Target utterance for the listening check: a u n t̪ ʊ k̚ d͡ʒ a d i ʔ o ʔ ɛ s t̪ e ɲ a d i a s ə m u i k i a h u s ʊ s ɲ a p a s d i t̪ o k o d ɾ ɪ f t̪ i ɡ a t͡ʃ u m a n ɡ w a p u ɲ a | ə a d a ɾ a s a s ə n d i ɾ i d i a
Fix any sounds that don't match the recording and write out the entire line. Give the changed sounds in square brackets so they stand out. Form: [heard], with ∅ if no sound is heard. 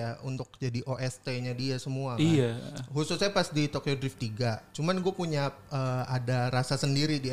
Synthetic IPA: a u n t̪ ʊ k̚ d͡ʒ a d i ʔ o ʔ ɛ s t̪ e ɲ a d i a s ə m u [a] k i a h u s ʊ s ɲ a p a s d i t̪ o k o d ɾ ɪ f t̪ i ɡ a t͡ʃ u m a n ɡ [u] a p u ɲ a | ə a d a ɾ a s a s ə n d i ɾ i d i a